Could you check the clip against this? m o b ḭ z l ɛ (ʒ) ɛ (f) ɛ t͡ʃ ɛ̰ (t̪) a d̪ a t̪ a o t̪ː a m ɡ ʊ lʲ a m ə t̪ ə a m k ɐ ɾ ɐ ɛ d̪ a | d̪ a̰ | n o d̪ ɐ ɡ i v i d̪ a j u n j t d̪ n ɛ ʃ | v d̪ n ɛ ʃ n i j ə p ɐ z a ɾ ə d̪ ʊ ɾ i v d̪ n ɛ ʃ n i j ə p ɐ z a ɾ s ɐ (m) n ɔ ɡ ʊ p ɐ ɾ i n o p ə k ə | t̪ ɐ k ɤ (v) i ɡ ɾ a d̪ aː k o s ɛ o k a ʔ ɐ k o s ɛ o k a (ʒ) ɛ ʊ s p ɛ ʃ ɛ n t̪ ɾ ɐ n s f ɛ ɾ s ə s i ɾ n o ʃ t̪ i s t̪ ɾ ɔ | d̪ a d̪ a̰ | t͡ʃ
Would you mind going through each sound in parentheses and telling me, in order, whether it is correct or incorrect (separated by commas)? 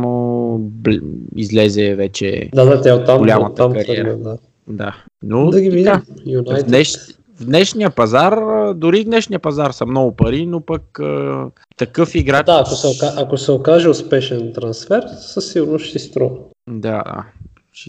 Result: incorrect, incorrect, incorrect, correct, incorrect, correct